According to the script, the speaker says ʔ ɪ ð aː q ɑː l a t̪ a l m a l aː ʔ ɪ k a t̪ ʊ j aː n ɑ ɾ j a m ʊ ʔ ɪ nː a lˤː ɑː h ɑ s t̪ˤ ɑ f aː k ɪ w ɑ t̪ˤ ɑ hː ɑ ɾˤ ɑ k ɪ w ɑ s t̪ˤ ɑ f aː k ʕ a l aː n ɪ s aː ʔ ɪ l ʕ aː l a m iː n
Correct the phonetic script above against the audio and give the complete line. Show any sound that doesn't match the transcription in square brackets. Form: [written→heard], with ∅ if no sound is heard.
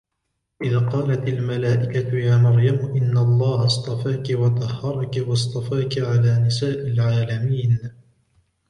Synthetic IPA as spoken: ʔ ɪ ð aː q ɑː l a t̪ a l m a l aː ʔ ɪ k a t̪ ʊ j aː n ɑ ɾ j a m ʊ ʔ ɪ nː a lˤː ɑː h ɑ s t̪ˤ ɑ f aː k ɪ w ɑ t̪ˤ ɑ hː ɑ ɾˤ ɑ k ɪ w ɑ s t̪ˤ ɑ f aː k ʕ a l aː n ɪ s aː ʔ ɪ l ʕ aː l a m iː n